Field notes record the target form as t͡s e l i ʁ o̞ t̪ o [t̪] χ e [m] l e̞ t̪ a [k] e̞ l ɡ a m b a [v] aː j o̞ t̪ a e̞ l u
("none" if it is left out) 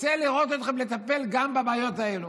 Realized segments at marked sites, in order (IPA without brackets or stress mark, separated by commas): t̪, m, p, b